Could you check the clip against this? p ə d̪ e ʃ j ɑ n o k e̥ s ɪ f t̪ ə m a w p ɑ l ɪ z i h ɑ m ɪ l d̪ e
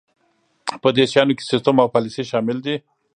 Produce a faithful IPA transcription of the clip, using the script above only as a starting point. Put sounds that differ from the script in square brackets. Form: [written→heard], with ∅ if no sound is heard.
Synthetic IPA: p ə d̪ e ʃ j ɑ n o k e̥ s ɪ [f→s] t̪ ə m a w p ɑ l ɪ [z→s] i [h→ʃ] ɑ m ɪ l d̪ [e→i]